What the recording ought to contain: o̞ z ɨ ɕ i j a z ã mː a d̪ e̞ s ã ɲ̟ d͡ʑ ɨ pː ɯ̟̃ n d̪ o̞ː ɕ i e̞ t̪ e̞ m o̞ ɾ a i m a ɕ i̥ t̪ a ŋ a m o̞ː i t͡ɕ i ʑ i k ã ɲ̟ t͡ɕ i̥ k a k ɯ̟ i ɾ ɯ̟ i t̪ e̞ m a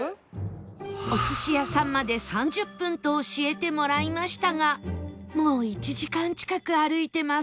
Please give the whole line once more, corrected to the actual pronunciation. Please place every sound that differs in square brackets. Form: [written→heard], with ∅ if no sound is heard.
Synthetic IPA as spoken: o̞ [z→s] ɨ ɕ i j a [z→s] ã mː a d̪ e̞ s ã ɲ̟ d͡ʑ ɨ pː ɯ̟̃ n [d̪→t̪] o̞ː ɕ i e̞ t̪ e̞ m o̞ ɾ a i m a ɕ i̥ t̪ a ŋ a m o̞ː i t͡ɕ i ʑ i k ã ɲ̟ t͡ɕ i̥ k a k ɯ̟ [i→a] ɾ ɯ̟ i t̪ e̞ m a